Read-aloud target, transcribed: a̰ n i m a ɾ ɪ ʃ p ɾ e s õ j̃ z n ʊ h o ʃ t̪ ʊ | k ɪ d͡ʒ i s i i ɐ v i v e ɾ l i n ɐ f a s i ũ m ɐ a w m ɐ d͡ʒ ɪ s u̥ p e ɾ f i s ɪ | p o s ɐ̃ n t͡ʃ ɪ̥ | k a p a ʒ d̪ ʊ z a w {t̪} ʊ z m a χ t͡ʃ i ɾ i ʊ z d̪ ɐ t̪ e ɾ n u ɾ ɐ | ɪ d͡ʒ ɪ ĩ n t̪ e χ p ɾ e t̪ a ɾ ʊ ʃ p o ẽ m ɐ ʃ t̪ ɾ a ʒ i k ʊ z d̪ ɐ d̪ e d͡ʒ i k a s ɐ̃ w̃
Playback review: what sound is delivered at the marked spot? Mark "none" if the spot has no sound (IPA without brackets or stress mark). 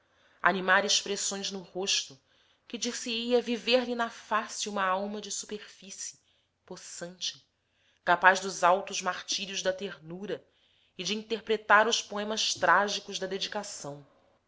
t̪